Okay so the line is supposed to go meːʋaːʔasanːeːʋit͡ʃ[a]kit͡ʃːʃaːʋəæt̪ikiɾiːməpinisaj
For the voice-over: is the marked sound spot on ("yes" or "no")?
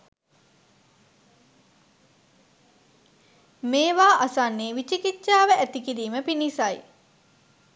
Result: no